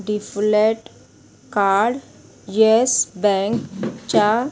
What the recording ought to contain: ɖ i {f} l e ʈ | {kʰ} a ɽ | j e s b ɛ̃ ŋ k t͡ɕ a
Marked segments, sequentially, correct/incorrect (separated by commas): correct, incorrect